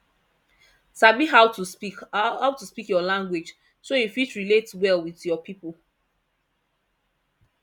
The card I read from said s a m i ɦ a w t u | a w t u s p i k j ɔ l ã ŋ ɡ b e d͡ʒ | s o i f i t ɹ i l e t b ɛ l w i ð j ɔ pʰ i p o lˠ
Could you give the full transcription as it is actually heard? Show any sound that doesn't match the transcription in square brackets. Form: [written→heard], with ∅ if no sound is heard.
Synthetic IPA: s a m i ɦ a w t u | a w t u s p i k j ɔ l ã ŋ ɡ [b→w] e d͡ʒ | s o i f i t ɹ i l e t [b→w] ɛ l w i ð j ɔ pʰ i p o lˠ